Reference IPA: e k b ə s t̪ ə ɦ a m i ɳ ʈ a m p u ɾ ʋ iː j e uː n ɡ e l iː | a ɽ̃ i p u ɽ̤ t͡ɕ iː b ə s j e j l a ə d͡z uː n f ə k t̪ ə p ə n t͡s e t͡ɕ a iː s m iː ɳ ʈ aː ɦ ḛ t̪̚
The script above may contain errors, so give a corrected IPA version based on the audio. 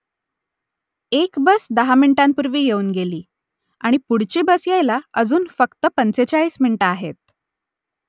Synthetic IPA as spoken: e k b ə s d̪ ə ɦ a m i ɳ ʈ a m p u ɾ ʋ iː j e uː n ɡ e l iː | a ɽ̃ i p u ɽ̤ t͡ɕ iː b ə s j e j l a ə d͡z uː n f ə k t̪ ə p ə n t͡s e t͡ɕ a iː s m i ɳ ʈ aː ɦ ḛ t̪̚